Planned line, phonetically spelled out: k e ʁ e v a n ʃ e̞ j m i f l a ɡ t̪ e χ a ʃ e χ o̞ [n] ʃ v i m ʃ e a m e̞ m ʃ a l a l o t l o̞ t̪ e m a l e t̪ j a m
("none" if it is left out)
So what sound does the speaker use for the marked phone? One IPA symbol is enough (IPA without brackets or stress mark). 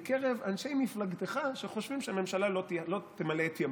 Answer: none